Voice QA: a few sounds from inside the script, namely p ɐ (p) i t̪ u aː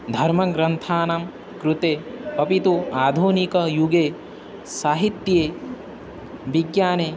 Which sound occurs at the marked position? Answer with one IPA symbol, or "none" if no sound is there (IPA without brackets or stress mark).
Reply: p